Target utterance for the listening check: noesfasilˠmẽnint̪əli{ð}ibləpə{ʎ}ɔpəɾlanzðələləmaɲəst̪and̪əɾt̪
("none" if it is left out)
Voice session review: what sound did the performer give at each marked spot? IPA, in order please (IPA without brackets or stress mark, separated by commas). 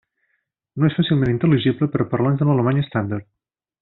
ʒ, ɾ